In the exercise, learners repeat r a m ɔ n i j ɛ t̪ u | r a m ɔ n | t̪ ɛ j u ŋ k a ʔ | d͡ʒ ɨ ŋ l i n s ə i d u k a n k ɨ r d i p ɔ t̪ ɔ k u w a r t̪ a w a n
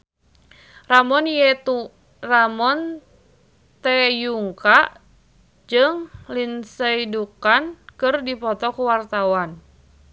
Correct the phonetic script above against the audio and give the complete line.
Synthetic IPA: r a m ɔ n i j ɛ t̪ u | r a m ɔ n | t̪ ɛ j u ŋ k a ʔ | d͡ʒ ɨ ŋ l i n s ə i d u k a n k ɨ r d i p ɔ t̪ ɔ k u w a r t̪ a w a n